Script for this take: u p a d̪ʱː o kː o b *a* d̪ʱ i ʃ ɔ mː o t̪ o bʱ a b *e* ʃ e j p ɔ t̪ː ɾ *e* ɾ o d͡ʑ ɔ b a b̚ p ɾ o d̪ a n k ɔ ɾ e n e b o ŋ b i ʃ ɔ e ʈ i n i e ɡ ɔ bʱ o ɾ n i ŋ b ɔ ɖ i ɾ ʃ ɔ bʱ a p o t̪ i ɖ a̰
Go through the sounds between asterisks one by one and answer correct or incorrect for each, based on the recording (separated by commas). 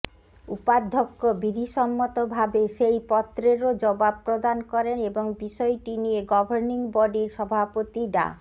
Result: incorrect, correct, correct